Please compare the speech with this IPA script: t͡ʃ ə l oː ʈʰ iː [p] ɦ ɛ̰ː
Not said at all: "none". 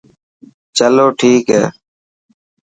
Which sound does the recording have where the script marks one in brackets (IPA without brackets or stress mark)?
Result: k